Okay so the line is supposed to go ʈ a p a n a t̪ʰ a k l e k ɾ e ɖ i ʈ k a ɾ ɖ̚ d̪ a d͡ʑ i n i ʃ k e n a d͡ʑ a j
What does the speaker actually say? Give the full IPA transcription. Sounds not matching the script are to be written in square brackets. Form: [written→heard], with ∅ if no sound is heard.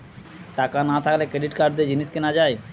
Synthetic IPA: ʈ a [p→k] a n a t̪ʰ a k l e k ɾ e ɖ i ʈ k a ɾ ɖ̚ d̪ [a→e] d͡ʑ i n i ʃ k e n a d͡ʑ a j